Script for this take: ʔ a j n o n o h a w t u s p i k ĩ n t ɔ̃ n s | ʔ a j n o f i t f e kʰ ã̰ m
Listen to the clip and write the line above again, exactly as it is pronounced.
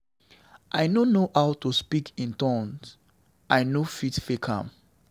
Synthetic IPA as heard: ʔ a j n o n o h a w t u s p i k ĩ n t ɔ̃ n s | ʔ a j n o f i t f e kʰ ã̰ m

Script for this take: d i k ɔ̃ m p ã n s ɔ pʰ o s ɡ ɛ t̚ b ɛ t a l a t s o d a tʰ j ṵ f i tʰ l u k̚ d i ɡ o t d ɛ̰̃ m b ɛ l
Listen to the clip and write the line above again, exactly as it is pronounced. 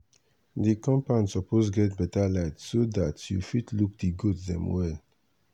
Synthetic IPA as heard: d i k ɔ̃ m p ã n s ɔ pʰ o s ɡ ɛ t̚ b ɛ t a l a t s o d a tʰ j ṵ f i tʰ l u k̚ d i ɡ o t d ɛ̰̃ m w ɛ l

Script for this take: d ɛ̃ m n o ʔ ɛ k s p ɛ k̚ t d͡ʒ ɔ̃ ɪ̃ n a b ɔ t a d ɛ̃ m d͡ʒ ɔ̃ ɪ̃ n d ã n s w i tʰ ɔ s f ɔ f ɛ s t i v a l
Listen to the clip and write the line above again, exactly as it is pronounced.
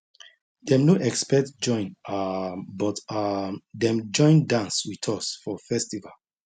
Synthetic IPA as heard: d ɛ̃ m n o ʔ ɛ k s p ɛ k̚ t d͡ʒ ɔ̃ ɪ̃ n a b ɔ t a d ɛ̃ m d͡ʒ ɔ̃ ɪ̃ n d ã n s w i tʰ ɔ s f ɔ f ɛ s t i v a l

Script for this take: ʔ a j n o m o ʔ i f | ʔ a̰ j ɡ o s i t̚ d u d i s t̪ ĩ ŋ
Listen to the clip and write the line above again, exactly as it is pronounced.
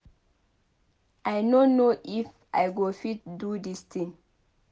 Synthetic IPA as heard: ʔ a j n o n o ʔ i f | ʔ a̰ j ɡ o f i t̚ d u d i s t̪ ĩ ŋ

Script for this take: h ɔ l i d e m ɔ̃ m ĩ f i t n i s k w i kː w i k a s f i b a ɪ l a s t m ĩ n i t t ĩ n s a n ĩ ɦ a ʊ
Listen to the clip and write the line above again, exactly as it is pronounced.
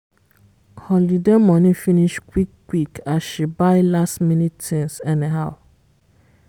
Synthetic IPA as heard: h ɔ l i d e m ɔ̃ n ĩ f i n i ʃ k w i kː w i k a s ʃ i b a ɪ l a s t m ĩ n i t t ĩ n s ɛ n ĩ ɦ a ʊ

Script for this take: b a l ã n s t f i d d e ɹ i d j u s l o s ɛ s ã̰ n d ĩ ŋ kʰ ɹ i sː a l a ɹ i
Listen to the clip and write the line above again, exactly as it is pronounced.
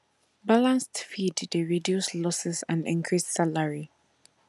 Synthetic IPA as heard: b a l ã n s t f i d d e ɹ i d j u s l ɔ s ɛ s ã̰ n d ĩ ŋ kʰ ɹ i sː a l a ɹ i

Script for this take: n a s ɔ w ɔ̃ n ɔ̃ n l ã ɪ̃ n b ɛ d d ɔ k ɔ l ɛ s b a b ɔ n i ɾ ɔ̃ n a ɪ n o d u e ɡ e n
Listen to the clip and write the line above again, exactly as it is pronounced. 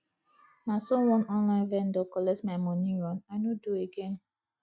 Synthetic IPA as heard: n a s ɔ w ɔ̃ n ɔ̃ n l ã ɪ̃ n v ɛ n d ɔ k ɔ l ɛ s m a m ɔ n i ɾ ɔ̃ n a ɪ n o d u e ɡ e n

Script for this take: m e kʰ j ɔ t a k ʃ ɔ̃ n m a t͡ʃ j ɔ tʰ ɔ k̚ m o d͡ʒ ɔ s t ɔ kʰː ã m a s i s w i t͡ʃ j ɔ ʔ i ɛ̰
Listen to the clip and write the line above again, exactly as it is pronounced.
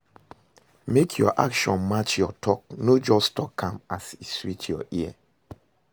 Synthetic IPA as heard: m e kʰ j ɔ ʔ a k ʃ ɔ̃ n m a t͡ʃ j ɔ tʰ ɔ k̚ n o d͡ʒ ɔ s t ɔ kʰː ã m a s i s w i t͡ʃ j ɔ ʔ i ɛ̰

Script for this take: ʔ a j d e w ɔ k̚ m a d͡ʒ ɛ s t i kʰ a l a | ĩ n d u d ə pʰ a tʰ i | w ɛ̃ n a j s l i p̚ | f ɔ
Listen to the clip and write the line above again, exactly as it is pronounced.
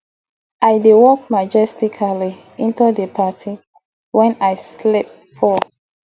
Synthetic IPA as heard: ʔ a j d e w ɔ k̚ m a d͡ʒ ɛ s t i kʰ a l i | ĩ n t u d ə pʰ a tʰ i | w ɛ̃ n a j s l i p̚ | f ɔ

